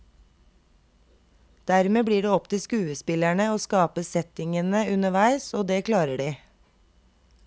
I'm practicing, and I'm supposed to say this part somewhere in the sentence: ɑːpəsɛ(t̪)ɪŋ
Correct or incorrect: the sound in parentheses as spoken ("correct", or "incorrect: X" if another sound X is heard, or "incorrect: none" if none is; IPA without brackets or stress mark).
correct